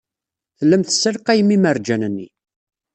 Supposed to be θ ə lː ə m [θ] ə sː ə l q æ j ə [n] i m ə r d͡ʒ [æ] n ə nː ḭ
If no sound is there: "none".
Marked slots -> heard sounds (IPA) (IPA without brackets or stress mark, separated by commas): θ, m, æ